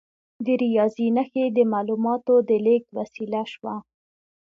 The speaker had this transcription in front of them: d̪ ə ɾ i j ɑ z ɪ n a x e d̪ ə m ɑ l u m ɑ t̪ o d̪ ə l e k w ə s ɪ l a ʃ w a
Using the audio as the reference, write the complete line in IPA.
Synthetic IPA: d̪ ə ɾ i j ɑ z i n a x e d̪ ə m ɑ l u m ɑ t̪ o d̪ ə l e k w a s i l a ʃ w a